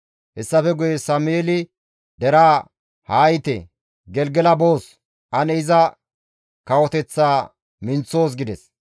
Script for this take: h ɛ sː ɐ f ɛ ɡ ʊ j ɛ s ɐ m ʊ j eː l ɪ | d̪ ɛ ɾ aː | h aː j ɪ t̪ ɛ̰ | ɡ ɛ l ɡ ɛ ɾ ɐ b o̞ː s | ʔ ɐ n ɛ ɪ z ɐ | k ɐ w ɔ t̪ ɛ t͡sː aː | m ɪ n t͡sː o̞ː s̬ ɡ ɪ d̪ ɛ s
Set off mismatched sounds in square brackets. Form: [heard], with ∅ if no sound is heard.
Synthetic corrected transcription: h ɛ sː ɐ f ɛ ɡ ʊ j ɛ s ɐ m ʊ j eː l ɪ | d̪ ɛ ɾ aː | h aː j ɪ t̪ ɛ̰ | ɡ ɛ l ɡ ɛ [l] ɐ b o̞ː s | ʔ ɐ n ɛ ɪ z ɐ | k ɐ w ɔ t̪ ɛ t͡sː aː | m ɪ n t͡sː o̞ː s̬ ɡ ɪ d̪ ɛ s